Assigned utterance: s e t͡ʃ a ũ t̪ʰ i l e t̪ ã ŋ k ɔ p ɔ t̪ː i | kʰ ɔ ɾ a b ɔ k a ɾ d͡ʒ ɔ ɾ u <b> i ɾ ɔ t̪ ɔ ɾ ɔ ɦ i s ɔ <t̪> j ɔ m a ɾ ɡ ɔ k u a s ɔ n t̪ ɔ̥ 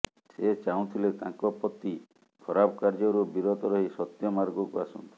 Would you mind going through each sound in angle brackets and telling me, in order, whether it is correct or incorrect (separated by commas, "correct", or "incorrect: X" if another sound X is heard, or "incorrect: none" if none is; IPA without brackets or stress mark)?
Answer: correct, correct